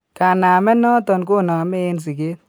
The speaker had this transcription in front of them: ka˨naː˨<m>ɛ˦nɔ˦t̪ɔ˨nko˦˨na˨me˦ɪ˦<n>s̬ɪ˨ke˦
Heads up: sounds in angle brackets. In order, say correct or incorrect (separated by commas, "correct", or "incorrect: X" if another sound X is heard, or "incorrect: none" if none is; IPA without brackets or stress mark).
correct, correct